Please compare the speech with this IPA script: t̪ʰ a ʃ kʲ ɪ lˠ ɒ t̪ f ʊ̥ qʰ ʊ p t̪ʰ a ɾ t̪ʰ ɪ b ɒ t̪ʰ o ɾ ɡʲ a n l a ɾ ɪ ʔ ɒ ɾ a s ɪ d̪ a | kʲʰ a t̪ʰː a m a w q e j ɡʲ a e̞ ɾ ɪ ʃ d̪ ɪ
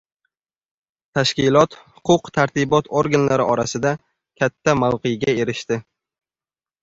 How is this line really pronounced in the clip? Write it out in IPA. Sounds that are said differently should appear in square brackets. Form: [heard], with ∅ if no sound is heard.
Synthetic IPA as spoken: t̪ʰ a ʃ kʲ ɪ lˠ ɒ t̪ [h] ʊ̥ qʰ ʊ [q] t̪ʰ a ɾ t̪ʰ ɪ b ɒ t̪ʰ o ɾ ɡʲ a n l a ɾ ɪ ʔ ɒ ɾ a s ɪ d̪ a | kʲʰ a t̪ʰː a m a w q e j ɡʲ a e̞ ɾ ɪ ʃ [t̪] ɪ